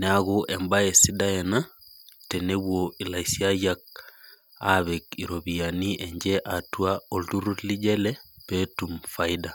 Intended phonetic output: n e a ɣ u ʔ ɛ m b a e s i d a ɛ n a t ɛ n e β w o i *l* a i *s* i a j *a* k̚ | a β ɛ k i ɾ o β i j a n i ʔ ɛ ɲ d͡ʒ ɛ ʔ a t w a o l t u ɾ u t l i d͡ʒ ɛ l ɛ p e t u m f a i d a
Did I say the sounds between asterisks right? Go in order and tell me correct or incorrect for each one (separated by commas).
correct, correct, correct